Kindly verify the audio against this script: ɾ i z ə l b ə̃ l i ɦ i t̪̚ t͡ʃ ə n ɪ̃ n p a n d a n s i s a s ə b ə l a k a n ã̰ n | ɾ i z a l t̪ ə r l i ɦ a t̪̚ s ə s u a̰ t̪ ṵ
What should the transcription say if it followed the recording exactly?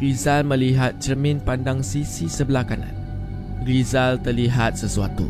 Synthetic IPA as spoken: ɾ i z a l m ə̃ l i ɦ a t̪̚ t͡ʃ ə m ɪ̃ n p a n d a ŋ s i s i s ə b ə l a k a n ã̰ n | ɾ i z a l t̪ ə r l i ɦ a t̪̚ s ə s u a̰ t̪ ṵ